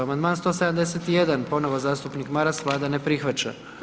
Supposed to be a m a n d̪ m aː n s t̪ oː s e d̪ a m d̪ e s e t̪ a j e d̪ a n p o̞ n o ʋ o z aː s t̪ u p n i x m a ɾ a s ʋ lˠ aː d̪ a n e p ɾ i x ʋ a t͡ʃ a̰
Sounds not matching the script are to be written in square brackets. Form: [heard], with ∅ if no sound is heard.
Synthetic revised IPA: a m a n d̪ m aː n s t̪ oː s e d̪ a m d̪ e s e t̪ [i] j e d̪ a n p o̞ n o ʋ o z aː s t̪ u p n i [k] m a ɾ a s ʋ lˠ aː d̪ a n e p ɾ i x ʋ a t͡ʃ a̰

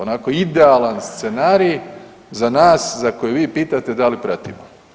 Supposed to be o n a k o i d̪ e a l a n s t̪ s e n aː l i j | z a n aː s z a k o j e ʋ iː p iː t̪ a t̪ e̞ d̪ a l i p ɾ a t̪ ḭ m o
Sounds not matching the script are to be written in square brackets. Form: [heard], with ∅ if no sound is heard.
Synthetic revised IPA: o n a k o i d̪ e a l a n s t̪ s e n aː [ɾ] i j | z a n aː s z a k o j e ʋ iː p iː t̪ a t̪ e̞ d̪ a l i p ɾ a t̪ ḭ m o

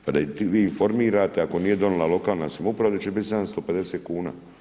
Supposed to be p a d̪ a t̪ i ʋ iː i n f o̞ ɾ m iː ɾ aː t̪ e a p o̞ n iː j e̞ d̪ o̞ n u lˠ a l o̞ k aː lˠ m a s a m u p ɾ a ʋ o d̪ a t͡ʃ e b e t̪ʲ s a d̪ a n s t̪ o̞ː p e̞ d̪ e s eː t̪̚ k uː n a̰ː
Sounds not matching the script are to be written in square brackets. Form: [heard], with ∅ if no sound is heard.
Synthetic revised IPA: p a d̪ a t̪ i ʋ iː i n f o̞ ɾ m iː ɾ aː t̪ e a [k] o̞ n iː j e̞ d̪ o̞ n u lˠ a l o̞ k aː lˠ [n] a s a m u p ɾ a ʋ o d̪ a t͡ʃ e b [i] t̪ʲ s a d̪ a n s t̪ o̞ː p e̞ d̪ e s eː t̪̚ k uː n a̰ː

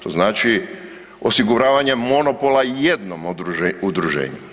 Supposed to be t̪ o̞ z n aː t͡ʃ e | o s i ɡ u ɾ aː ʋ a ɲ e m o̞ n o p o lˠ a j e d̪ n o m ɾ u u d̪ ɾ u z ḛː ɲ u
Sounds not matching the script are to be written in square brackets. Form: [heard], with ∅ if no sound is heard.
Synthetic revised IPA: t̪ o̞ z n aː t͡ʃ [i] | o s i ɡ u ɾ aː ʋ a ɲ e m o̞ n o p o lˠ a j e d̪ n o m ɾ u u d̪ ɾ u [ʒ] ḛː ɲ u

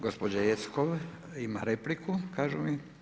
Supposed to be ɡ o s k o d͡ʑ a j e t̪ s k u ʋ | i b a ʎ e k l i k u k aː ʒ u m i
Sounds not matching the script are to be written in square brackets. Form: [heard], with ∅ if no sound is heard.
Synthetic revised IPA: ɡ o s [p] o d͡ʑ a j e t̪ s k [o] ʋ | i [m] a [ɾ] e [p] l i k u k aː ʒ u m i

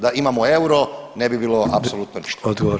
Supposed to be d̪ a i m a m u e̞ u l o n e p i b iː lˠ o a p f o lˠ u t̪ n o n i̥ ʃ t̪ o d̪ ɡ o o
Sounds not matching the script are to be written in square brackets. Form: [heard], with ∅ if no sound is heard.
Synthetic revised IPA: d̪ a i m a m [o] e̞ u [ɾ] o n e [b] i b iː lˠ o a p [s] o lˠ u t̪ n o n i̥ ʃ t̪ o d̪ ɡ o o

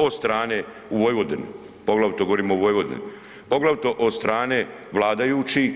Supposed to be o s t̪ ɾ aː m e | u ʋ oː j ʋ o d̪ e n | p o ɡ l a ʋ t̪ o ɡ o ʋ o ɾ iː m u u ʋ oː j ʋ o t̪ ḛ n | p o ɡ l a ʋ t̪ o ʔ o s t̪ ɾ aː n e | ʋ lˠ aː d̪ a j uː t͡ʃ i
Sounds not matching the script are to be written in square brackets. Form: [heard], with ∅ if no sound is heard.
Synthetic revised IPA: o s t̪ ɾ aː [n] e | u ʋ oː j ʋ o d̪ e n | p o ɡ l a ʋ t̪ o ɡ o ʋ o ɾ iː m [o] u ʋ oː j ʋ o [d̪] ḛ n | p o ɡ l a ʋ t̪ o ʔ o s t̪ ɾ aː n e | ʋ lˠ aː d̪ a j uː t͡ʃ i

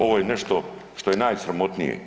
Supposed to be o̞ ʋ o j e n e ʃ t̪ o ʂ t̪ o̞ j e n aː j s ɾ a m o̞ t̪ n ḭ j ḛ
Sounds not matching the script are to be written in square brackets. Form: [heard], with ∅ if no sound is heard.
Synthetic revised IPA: o̞ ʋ o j e n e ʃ t̪ o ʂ t̪ o̞ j e n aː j s ɾ a m o̞ t̪ n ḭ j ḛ

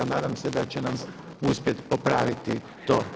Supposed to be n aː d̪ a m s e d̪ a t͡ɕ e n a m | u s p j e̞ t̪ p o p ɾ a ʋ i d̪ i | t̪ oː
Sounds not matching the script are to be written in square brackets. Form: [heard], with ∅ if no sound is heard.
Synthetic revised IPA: n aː d̪ a m s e d̪ a t͡ɕ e n a m | u s p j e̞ t̪ p o p ɾ a ʋ i [t̪] i | t̪ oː

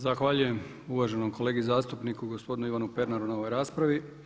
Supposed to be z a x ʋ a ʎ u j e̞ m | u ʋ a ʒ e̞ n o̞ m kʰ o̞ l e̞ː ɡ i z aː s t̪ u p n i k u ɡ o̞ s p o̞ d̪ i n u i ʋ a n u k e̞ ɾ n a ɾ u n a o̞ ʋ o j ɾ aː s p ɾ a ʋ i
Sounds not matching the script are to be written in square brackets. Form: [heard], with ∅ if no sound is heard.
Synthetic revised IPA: z a x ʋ a ʎ u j e̞ m | u ʋ a ʒ e̞ n o̞ m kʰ o̞ l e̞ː ɡ i z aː s t̪ u p n i k u ɡ o̞ s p o̞ d̪ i n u i ʋ a n u [p] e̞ ɾ n a ɾ u n a o̞ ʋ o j ɾ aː s p ɾ a ʋ i

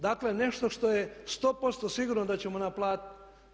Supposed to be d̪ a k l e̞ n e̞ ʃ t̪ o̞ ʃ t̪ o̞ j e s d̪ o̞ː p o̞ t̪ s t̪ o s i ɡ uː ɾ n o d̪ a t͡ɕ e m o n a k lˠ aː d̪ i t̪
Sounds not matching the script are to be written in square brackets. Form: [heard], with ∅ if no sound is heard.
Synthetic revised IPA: d̪ a k l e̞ n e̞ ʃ t̪ o̞ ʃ t̪ o̞ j e s [t̪] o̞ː p o̞ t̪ s t̪ o s i ɡ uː ɾ n o d̪ a t͡ɕ e m o n a [p] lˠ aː [t̪] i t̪

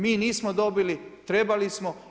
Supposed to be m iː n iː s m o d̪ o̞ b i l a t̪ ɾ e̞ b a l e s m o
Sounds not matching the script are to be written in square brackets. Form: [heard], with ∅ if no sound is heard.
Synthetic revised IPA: m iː n iː s m o d̪ o̞ b i l [i] t̪ ɾ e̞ b a l [i] s m o

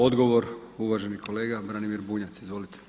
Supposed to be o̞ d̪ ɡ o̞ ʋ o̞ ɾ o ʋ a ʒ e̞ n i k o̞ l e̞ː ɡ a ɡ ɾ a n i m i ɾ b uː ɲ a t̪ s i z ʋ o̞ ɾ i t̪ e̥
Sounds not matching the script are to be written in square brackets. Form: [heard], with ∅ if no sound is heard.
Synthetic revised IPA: o̞ d̪ ɡ o̞ ʋ o̞ ɾ [u] ʋ a ʒ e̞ n i k o̞ l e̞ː ɡ a [b] ɾ a n i m i ɾ b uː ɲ a t̪ s i z ʋ o̞ [l] i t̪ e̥

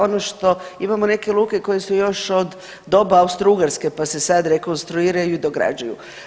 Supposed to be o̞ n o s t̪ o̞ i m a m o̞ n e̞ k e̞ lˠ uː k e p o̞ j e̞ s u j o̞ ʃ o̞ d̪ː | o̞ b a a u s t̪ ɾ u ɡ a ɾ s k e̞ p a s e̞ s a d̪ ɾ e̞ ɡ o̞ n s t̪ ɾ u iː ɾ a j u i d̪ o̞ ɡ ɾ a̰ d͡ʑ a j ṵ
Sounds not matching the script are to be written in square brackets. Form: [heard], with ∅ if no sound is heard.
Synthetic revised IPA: o̞ n o [ʃ] t̪ o̞ i m a m o̞ n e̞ k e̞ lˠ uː k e [k] o̞ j e̞ s u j o̞ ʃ o̞ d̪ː | o̞ b a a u s t̪ ɾ u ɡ a ɾ s k e̞ p a s e̞ s a d̪ ɾ e̞ [k] o̞ n s t̪ ɾ u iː ɾ a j u i d̪ o̞ ɡ ɾ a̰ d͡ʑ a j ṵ

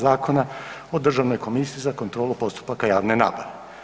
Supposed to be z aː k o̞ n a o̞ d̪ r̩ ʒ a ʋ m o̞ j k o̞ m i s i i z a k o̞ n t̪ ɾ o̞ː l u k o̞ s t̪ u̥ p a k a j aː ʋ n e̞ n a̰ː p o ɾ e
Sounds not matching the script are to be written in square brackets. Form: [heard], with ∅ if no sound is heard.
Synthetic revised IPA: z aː k o̞ n a o̞ d̪ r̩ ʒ a ʋ [n] o̞ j k o̞ m i s i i z a k o̞ n t̪ ɾ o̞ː l u [p] o̞ s t̪ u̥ p a k a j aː ʋ n e̞ n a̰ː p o ɾ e

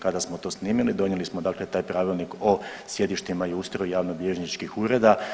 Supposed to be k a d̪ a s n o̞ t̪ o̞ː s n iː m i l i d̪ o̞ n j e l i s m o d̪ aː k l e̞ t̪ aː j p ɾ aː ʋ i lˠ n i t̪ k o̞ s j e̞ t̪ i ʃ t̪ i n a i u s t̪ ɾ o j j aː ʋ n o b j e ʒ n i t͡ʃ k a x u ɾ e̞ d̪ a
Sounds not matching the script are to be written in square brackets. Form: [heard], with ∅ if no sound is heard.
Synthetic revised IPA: k a d̪ a s [m] o̞ t̪ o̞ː s n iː m i l i d̪ o̞ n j e l i s m o d̪ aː k l e̞ t̪ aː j p ɾ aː ʋ i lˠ n i [∅] k o̞ s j e̞ [d̪] i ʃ t̪ i [m] a i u s t̪ ɾ o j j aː ʋ n o b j e ʒ n i t͡ʃ k [i] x u ɾ e̞ d̪ a

